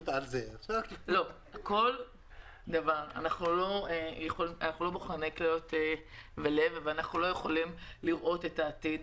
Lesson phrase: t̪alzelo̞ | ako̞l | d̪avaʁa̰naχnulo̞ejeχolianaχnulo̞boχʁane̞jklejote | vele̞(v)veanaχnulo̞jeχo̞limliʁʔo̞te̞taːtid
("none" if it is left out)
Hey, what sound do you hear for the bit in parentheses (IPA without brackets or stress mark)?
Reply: v